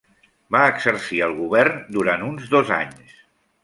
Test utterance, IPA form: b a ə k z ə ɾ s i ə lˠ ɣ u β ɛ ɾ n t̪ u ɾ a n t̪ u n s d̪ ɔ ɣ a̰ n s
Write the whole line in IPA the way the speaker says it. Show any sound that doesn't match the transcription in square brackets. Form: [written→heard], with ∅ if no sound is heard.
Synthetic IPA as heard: b a ə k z ə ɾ s i ə lˠ ɣ u β ɛ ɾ n [t̪→d̪] u ɾ a n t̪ u n [s→z] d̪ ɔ [ɣ→z] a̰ [n→ɲ] s